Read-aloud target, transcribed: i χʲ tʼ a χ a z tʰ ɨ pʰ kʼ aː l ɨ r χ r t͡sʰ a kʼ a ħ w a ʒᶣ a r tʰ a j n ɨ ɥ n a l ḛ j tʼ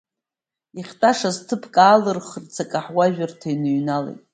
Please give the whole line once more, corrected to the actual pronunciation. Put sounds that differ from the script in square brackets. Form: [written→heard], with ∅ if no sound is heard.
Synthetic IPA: i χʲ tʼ a [χ→ʂ] a z tʰ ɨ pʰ kʼ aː l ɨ r χ r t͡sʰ a kʼ a ħ w a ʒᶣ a r tʰ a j n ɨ ɥ n a l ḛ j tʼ